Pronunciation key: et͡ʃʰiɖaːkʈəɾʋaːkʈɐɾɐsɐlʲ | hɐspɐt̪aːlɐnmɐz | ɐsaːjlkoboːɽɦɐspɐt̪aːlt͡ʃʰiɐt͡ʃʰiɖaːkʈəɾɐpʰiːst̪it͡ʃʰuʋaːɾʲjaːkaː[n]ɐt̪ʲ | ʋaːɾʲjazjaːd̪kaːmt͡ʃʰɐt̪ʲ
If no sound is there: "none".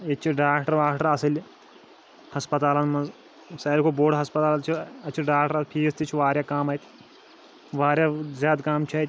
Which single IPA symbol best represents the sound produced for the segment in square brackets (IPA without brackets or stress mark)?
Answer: m